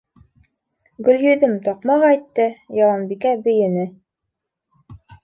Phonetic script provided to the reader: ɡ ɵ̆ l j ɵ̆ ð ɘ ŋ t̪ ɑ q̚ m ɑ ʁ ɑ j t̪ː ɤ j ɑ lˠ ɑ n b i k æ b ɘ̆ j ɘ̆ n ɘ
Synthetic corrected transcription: ɡ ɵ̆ l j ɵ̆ ð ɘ m t̪ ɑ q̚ m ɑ ʁ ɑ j t̪ː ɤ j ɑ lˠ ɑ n b i k æ b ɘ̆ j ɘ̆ n ɘ